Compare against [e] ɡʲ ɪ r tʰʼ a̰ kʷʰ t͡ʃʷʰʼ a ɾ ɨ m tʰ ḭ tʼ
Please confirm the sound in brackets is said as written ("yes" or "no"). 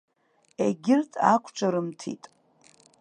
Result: yes